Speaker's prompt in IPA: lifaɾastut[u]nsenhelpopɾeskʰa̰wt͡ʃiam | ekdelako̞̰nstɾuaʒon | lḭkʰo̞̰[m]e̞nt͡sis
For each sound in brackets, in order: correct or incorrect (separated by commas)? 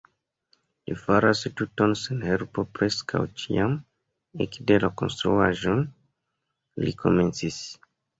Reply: incorrect, correct